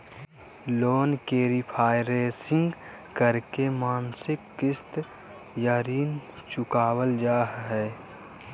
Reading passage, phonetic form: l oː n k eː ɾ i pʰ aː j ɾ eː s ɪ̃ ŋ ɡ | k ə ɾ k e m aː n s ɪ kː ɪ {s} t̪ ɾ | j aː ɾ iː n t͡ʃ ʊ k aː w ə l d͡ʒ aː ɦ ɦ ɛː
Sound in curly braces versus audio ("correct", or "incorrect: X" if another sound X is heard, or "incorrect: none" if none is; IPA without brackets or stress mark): correct